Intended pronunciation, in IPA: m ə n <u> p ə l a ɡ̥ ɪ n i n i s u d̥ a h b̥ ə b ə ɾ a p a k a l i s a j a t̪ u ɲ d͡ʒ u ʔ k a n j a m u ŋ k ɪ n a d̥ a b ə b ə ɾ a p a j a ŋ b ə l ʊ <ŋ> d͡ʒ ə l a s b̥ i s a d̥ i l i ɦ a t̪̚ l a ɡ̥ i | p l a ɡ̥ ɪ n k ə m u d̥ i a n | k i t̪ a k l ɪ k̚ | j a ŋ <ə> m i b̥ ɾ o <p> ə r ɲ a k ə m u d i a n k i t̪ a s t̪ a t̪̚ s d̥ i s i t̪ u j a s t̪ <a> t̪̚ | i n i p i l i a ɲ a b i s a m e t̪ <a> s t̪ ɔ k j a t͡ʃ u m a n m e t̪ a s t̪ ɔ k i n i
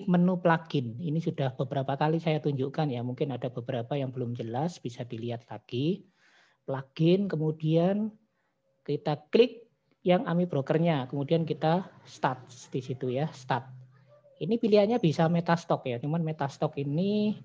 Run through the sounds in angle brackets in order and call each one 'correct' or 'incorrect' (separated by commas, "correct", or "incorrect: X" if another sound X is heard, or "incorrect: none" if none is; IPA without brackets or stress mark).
correct, incorrect: m, incorrect: a, incorrect: k, correct, correct